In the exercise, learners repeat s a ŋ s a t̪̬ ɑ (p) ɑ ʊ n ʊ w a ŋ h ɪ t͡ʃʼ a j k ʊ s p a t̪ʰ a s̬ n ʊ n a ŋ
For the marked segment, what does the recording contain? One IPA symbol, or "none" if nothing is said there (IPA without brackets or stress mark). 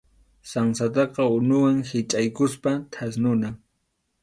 q